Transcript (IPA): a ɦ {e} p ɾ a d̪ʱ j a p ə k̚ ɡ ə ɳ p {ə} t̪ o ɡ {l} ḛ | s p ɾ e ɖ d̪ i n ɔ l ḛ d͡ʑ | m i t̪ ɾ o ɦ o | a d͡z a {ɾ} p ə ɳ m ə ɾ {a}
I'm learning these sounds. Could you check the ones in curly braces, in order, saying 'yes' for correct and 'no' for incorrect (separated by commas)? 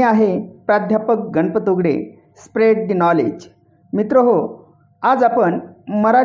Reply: yes, yes, no, no, yes